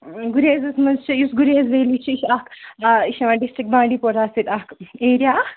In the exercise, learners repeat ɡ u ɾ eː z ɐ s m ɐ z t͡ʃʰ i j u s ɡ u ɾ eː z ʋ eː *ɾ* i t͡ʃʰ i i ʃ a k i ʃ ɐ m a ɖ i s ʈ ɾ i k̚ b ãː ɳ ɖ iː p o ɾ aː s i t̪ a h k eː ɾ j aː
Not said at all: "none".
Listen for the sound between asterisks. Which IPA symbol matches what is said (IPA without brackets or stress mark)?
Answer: l